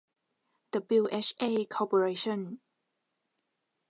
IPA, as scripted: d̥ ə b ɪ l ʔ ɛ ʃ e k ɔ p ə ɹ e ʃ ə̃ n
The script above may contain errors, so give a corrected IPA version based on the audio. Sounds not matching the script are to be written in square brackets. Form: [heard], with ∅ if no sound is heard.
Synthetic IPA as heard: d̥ ə b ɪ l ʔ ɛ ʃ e [kʰ] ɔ p ə ɹ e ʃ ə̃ n